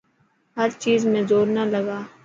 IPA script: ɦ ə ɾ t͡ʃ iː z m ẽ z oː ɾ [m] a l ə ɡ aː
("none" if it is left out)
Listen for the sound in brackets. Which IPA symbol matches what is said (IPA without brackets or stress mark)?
n